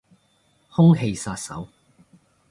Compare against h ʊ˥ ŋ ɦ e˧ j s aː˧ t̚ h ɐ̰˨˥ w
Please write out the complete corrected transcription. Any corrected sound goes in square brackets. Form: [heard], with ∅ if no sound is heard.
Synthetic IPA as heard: h ʊ˥ ŋ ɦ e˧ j s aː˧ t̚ [s] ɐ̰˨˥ w